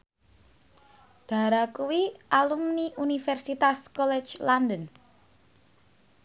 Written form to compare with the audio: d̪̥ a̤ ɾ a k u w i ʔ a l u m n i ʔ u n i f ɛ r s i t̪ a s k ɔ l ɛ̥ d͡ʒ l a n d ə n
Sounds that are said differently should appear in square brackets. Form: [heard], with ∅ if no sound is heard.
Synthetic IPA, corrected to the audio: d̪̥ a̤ ɾ a k u w i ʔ a l u m n i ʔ u n i f ɛ r s i t̪ a s k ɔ l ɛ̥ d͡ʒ l a n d ə n

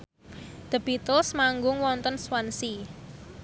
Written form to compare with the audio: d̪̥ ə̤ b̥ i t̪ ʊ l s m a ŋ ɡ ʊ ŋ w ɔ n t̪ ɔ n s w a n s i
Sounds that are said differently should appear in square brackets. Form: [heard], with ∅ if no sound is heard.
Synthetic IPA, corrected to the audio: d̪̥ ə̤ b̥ i t̪ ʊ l s m a ŋ ɡ ʊ ŋ w ɔ n t̪ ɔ n s w a n s i

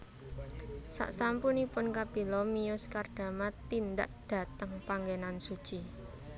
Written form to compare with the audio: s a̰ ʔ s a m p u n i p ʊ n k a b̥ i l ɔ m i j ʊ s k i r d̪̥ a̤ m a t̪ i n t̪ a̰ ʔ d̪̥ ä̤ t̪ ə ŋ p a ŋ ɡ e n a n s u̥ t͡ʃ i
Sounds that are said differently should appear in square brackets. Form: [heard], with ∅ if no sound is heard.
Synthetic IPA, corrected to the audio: s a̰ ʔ s a m p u n i p ʊ n k a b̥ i l ɔ m i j ʊ s k [a] r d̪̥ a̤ m a t̪ i n [d̪] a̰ ʔ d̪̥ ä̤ t̪ ə ŋ p a ŋ ɡ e n a n s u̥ t͡ʃ i

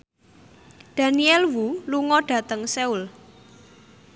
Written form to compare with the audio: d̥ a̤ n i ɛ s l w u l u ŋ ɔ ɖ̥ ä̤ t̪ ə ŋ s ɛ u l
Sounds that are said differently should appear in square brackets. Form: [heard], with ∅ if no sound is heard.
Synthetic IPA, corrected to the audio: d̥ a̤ n i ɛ [∅] l w u l u ŋ ɔ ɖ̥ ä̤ t̪ ə ŋ s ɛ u l

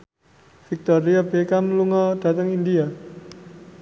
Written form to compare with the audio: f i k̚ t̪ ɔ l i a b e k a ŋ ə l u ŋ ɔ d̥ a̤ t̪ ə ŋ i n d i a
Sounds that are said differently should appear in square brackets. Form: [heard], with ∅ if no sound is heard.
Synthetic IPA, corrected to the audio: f i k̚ t̪ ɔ [ɾ] i a b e k a [m] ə l u ŋ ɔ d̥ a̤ t̪ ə ŋ i n d i a

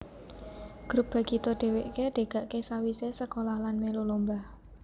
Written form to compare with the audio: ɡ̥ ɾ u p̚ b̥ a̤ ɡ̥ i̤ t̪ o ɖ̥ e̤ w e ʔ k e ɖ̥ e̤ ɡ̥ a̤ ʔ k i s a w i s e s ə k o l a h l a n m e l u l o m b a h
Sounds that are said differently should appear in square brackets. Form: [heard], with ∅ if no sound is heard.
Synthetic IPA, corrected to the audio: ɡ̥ ɾ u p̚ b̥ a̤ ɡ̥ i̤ t̪ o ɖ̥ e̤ w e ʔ k e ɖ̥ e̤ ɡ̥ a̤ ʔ k [e] s a w i s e s ə k o l a h l a n m e l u l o m b a h

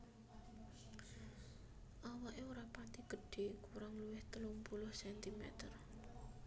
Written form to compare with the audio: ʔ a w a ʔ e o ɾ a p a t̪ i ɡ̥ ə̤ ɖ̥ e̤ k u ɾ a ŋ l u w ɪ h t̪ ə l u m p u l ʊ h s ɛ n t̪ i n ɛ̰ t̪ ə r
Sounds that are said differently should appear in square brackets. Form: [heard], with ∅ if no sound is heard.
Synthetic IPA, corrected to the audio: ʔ a w a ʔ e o ɾ a p a t̪ i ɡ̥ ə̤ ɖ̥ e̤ k u ɾ a ŋ l u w ɪ h t̪ ə l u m p u l ʊ h s ɛ n t̪ i [m] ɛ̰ t̪ ə r

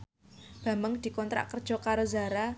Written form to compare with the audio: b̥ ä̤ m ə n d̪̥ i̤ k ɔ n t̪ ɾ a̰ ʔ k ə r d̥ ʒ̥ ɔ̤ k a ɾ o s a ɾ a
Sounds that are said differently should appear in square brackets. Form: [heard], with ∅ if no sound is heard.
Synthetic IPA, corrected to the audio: b̥ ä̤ m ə [ŋ] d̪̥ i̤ k ɔ n t̪ ɾ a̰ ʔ k ə r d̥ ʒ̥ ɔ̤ k a ɾ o [z] a ɾ a

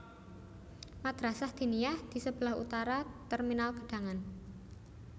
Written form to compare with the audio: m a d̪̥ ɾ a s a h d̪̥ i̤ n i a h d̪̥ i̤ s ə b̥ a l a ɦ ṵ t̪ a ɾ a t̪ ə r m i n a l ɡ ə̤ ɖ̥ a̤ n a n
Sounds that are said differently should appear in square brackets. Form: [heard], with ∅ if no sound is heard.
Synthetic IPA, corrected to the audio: m a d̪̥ ɾ a s a h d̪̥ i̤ n i a h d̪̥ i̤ s ə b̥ [ə] l a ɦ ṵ t̪ a ɾ a t̪ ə r m i n a l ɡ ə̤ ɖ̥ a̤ [ŋ] a n

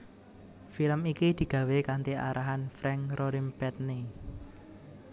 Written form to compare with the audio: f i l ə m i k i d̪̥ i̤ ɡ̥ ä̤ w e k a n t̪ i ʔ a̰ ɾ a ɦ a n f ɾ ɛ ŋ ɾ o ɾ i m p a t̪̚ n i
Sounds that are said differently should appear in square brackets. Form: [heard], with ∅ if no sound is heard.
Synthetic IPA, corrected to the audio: f i l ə m i k i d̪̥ i̤ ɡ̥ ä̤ w e k a n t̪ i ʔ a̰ ɾ a ɦ a n f ɾ ɛ ŋ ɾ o ɾ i m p [ɛ] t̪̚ n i

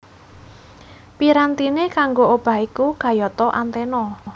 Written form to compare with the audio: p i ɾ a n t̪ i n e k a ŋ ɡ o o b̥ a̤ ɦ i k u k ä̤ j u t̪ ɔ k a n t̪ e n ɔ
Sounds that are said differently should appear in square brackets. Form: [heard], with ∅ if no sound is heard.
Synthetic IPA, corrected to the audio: p i ɾ a n t̪ i n e k a ŋ ɡ o o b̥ a̤ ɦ i k u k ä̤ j [ɔ] t̪ ɔ [ʔ] a n t̪ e n ɔ

